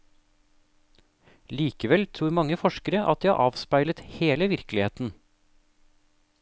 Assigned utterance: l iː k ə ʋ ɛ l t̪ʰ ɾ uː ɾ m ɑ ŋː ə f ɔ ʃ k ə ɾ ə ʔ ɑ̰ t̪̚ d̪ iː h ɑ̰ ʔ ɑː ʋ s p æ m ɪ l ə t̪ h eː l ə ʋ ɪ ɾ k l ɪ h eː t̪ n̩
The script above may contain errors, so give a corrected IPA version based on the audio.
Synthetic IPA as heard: l iː k ə ʋ ɛ l t̪ʰ ɾ uː ɾ m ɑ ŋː ə f ɔ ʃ k ə ɾ ə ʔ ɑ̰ t̪̚ d̪ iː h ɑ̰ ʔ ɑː ʋ s p æ ɪ l ə t̪ h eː l ə ʋ ɪ ɾ k l ɪ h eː t̪ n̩